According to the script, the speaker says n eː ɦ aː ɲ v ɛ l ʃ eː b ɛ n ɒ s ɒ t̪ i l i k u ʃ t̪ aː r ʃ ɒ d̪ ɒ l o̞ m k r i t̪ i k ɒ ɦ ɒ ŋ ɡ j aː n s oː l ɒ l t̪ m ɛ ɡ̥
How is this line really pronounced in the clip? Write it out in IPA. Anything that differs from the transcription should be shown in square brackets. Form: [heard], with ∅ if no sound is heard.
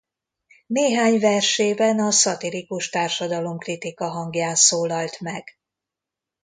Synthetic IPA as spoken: n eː ɦ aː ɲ v ɛ [r] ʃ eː b ɛ n ɒ s ɒ t̪ i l i k u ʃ t̪ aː r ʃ ɒ d̪ ɒ l o̞ m k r i t̪ i k ɒ ɦ ɒ ŋ ɡ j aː n s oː l ɒ l t̪ m ɛ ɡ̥